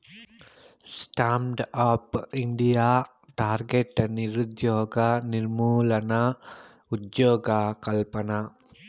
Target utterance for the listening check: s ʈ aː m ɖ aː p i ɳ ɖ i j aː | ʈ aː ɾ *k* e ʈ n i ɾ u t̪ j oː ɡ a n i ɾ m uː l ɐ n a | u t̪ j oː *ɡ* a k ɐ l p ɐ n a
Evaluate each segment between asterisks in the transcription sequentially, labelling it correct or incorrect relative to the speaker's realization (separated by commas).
incorrect, correct